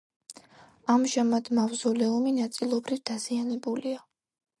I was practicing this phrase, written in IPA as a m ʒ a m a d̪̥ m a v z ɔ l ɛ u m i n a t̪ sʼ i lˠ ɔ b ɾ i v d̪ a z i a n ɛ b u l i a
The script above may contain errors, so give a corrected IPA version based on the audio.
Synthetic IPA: a m ʒ a m a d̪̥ m a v z ɔ l ɛ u m i n a t̪ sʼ i lˠ ɔ b ɾ i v d̪ a z i a n ɛ b u l i a